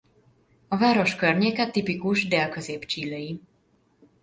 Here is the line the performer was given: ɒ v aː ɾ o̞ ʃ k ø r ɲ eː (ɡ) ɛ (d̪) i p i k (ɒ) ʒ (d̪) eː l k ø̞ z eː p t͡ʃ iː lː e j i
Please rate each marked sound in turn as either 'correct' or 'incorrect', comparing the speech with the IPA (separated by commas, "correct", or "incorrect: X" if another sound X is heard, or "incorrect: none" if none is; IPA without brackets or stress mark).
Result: incorrect: k, incorrect: t̪, incorrect: u, correct